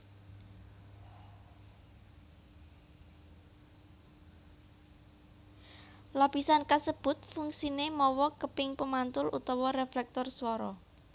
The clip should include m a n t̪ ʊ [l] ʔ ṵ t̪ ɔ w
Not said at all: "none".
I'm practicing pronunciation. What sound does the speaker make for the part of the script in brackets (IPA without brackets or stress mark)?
l